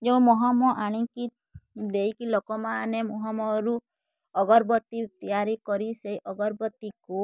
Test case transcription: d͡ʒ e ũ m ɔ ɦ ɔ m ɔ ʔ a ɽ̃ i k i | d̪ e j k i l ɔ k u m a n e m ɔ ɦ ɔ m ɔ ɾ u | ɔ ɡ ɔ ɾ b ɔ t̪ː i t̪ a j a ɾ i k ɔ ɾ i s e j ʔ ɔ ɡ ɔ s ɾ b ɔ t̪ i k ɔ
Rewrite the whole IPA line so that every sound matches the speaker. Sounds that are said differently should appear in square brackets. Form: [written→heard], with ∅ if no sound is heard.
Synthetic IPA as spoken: d͡ʒ e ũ m ɔ ɦ ɔ m ɔ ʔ a ɽ̃ i k i | d̪ e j k i l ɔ k [u→ɔ] m a n e m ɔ ɦ ɔ m ɔ ɾ u | ɔ ɡ ɔ ɾ b ɔ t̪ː i t̪ [a→i] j a ɾ i k ɔ ɾ i s e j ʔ ɔ ɡ ɔ [s→∅] ɾ b ɔ t̪ i k [ɔ→u]